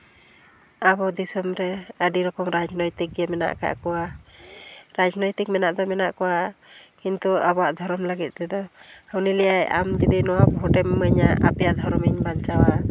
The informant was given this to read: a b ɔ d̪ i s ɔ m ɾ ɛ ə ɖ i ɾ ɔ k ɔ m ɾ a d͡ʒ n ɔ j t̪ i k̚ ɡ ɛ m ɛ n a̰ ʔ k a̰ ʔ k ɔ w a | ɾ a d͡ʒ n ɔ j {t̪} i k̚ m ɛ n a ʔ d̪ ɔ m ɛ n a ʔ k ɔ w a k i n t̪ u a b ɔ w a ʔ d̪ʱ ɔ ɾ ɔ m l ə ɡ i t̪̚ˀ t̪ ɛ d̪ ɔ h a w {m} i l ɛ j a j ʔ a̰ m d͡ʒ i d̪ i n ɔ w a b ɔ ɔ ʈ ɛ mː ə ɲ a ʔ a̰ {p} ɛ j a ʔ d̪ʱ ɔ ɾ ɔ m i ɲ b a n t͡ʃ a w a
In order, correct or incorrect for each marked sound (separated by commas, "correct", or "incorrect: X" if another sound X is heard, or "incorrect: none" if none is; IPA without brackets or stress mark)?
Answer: correct, incorrect: n, correct